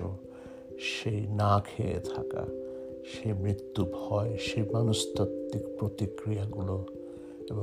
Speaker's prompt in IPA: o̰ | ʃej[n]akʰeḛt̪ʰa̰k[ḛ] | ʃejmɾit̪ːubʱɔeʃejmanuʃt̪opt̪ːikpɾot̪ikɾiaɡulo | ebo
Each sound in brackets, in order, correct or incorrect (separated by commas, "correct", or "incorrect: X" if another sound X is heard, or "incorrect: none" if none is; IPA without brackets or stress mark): correct, incorrect: a̰